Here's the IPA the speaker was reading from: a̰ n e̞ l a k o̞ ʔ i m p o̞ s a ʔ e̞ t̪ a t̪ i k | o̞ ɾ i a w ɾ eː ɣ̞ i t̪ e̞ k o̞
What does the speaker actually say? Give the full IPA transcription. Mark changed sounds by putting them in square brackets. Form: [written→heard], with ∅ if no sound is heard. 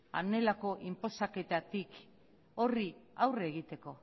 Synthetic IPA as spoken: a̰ n e̞ l a k o̞ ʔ i m p o̞ s a [ʔ→k] e̞ t̪ a t̪ i k | o̞ [ɾ→r] i a w [ɾ→r] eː ɣ̞ i t̪ e̞ k o̞